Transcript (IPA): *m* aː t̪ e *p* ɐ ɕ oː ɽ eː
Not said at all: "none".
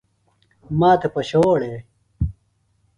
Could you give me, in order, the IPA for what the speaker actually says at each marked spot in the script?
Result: m, p

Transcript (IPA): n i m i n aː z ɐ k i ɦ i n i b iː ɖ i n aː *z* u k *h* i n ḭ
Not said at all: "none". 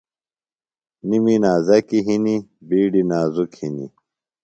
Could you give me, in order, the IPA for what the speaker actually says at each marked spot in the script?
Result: z, h

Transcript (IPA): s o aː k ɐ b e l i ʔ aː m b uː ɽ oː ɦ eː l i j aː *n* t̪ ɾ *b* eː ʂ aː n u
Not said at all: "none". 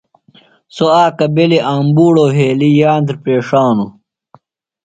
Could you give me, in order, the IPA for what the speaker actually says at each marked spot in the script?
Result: n, p

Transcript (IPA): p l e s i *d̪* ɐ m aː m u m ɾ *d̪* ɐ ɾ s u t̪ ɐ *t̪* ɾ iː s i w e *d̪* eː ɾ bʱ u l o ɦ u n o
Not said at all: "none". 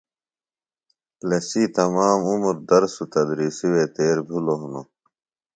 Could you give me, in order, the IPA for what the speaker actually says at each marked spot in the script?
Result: t̪, d̪, d̪, t̪

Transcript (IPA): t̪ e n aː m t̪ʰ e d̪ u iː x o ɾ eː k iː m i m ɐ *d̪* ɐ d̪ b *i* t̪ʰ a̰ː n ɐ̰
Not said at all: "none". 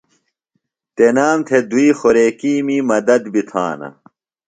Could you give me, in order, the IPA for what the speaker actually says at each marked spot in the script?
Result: d̪, i

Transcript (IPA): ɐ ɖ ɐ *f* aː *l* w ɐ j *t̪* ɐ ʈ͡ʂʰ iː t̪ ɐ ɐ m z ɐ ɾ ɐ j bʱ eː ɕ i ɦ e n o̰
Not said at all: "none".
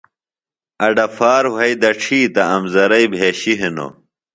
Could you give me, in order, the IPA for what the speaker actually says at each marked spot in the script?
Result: f, ɾ, d̪

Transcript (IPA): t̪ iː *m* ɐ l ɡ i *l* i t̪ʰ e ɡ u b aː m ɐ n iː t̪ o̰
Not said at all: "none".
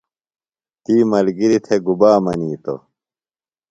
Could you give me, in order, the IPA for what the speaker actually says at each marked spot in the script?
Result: m, ɾ

